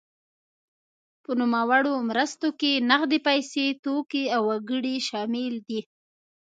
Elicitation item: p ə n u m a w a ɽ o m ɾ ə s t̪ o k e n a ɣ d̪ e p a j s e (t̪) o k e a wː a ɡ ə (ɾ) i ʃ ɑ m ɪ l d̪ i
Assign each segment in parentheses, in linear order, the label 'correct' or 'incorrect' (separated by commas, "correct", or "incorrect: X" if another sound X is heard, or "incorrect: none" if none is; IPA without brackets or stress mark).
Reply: correct, incorrect: ɽ